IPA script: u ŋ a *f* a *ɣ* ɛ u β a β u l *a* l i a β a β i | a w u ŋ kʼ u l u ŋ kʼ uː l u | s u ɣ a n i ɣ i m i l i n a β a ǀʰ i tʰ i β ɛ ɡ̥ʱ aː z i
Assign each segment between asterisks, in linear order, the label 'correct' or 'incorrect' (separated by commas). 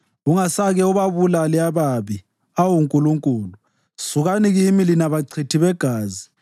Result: incorrect, correct, correct